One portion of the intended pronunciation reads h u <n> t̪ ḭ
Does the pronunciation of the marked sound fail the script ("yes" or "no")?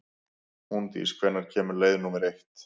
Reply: no